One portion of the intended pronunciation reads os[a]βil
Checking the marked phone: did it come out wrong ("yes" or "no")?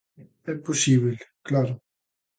yes